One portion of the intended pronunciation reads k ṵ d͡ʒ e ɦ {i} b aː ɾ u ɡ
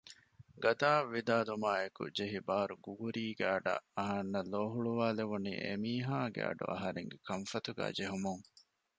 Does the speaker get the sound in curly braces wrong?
no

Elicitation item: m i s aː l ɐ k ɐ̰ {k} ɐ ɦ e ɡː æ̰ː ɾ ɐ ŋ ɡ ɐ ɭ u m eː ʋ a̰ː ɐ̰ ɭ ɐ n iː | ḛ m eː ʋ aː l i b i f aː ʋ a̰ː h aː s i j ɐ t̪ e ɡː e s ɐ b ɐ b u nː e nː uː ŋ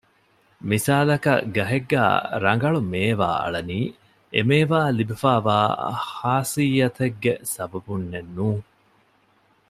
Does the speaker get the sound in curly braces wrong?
yes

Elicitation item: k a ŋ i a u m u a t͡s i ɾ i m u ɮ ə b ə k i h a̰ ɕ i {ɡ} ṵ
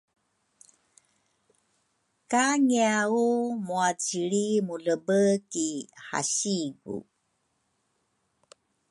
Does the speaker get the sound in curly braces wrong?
no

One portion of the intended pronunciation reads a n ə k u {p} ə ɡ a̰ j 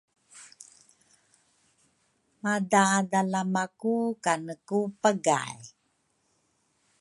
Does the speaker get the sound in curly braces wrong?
no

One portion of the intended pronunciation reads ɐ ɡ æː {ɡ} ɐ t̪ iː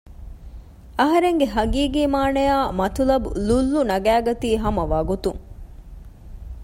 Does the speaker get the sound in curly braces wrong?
no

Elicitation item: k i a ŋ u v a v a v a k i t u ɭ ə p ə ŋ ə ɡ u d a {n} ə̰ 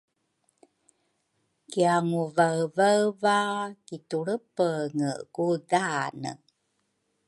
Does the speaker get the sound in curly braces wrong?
no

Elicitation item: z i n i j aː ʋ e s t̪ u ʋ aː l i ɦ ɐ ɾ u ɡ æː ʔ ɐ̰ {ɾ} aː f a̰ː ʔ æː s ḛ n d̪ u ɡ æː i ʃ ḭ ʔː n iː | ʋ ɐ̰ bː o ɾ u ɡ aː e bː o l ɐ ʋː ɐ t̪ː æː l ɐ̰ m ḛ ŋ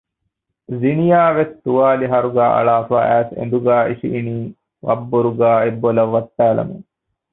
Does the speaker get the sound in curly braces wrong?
yes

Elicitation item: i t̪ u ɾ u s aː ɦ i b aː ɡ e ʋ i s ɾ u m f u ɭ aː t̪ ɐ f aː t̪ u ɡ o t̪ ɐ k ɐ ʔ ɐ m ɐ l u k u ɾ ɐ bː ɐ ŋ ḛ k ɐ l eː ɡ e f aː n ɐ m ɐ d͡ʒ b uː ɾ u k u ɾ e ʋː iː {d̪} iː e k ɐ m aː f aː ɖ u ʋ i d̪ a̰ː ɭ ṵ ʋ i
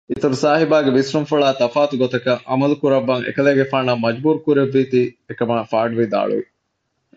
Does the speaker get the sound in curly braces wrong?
yes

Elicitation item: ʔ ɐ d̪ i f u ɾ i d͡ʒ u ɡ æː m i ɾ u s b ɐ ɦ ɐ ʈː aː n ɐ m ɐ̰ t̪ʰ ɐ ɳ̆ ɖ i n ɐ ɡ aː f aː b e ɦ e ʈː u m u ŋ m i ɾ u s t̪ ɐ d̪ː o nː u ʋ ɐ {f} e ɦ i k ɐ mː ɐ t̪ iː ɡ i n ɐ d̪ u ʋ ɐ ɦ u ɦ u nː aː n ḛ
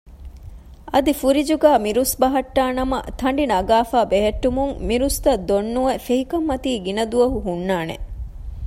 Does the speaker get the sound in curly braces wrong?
no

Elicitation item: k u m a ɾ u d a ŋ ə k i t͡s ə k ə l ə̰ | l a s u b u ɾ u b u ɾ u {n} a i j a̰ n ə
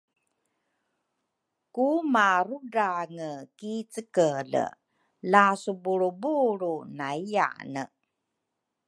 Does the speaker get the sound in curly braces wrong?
no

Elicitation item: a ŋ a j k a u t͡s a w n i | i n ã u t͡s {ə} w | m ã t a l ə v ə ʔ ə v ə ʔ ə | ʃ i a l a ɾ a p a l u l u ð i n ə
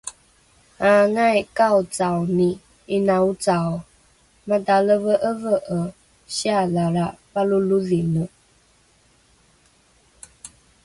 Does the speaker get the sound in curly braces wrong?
yes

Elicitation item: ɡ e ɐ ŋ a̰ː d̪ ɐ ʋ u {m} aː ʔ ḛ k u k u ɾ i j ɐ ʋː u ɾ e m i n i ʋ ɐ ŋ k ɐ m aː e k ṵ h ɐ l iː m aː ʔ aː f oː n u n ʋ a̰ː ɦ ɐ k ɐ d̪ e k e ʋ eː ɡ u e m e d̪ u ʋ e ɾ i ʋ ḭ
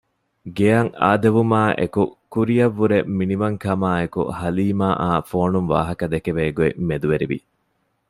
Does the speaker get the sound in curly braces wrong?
no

